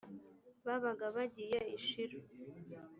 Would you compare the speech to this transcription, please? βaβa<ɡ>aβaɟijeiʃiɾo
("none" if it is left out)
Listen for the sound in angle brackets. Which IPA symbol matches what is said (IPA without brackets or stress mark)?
ɡ